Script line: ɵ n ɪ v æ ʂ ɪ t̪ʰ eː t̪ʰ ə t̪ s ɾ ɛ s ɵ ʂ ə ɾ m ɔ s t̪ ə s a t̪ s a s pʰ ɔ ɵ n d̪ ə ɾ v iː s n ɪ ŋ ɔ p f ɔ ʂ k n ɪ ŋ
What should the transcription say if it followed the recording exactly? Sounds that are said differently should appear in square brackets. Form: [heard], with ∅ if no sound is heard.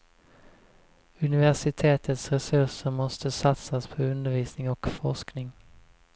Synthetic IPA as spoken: ɵ n ɪ v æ ʂ ɪ t̪ʰ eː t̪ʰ ə t̪ s ɾ ɛ s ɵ ʂ ə ɾ m ɔ s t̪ ə s a t̪ s a s pʰ ɔ ɵ n d̪ ə ɾ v iː s n ɪ ŋ ɔ [k] f ɔ ʂ k n ɪ ŋ